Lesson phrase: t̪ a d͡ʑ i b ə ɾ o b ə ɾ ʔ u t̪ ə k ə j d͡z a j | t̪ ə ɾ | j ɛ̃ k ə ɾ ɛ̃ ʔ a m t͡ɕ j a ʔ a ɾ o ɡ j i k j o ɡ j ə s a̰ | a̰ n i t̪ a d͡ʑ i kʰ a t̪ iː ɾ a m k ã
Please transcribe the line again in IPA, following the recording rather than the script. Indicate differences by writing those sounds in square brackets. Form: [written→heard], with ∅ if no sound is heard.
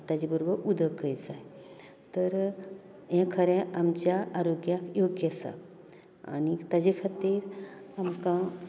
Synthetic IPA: t̪ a d͡ʑ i b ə ɾ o b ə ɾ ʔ u [t̪→d̪] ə k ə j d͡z a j | t̪ ə ɾ | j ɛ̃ [k→kʰ] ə ɾ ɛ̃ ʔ a m t͡ɕ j a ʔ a ɾ o ɡ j [i→a] k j o ɡ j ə s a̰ | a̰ n i t̪ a d͡ʑ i kʰ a t̪ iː ɾ a m k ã